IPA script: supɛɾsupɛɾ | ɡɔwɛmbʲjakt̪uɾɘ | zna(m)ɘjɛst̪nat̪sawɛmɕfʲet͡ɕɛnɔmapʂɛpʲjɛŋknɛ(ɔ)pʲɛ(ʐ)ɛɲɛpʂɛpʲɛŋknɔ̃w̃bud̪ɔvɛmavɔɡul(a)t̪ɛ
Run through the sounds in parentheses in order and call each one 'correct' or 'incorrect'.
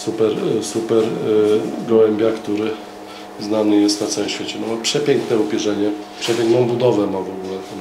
incorrect: n, incorrect: u, correct, incorrect: ɛ

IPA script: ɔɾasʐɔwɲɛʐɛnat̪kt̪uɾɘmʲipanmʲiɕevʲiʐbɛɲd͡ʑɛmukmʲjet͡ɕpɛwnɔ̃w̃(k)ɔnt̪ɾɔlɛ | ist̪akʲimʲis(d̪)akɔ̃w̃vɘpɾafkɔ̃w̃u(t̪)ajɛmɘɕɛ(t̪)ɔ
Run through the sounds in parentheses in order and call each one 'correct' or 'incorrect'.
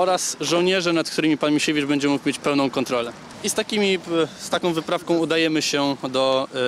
correct, incorrect: t̪, incorrect: d̪, incorrect: d̪

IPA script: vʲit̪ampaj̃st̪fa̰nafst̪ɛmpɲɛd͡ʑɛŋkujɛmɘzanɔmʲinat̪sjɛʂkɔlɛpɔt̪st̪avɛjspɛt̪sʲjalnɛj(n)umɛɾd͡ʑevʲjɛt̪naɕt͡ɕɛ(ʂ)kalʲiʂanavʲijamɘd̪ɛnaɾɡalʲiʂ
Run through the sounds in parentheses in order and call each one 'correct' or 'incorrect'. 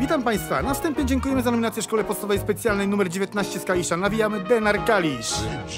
correct, incorrect: s

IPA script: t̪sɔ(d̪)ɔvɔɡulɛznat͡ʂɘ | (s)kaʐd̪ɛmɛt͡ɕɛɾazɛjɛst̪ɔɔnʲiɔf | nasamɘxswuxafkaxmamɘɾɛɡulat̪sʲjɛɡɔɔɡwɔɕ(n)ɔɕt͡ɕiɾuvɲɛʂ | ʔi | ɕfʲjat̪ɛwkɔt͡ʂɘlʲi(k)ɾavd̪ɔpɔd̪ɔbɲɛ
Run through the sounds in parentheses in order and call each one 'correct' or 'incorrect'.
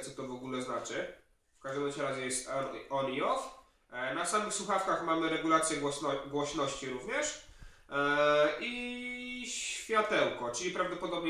incorrect: t̪, incorrect: f, correct, incorrect: p

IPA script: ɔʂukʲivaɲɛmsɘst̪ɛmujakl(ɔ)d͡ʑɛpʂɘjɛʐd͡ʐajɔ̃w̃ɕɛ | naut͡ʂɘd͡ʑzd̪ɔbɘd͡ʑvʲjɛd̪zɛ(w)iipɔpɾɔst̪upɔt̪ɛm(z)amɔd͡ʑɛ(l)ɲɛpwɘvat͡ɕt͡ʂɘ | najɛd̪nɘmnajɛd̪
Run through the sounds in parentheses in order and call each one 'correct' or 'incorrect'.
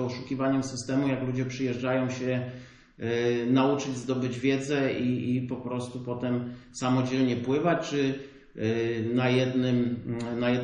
incorrect: u, incorrect: none, incorrect: s, correct

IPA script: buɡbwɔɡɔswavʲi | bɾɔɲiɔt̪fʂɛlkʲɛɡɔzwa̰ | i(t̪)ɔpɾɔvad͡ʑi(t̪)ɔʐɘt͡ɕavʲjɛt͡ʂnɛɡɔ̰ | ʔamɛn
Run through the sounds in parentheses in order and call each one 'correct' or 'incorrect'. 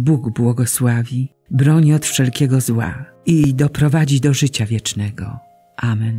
incorrect: d̪, incorrect: d̪

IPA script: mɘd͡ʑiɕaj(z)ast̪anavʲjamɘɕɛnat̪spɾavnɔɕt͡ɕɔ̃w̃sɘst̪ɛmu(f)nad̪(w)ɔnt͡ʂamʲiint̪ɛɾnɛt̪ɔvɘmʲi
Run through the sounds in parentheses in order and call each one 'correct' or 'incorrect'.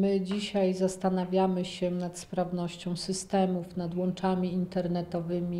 correct, correct, correct

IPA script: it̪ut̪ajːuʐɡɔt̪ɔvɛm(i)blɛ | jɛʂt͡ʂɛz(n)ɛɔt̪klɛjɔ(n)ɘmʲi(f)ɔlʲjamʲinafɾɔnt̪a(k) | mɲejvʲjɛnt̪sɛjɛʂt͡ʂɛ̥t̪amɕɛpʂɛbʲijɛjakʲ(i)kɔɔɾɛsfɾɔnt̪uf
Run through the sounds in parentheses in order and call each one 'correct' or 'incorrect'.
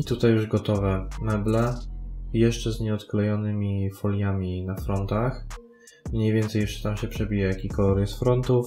incorrect: ɛ, incorrect: ɲ, correct, correct, incorrect: x, correct

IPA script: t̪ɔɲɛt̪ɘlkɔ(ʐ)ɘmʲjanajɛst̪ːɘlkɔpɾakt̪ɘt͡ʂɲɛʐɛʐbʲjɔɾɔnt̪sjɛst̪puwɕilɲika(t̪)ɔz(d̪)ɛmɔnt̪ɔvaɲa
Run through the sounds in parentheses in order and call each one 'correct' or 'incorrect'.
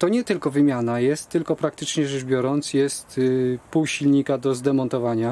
incorrect: v, incorrect: d̪, correct

